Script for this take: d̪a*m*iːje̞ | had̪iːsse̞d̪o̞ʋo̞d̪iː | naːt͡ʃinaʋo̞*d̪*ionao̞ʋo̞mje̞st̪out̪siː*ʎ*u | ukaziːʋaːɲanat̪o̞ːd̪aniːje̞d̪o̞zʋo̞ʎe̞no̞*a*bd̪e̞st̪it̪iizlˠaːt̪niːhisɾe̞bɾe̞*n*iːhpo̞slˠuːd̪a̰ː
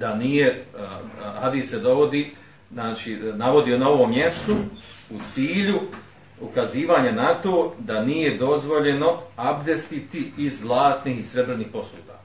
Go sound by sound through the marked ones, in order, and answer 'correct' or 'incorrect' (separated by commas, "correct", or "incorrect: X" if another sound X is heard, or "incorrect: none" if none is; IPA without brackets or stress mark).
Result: incorrect: n, correct, correct, correct, correct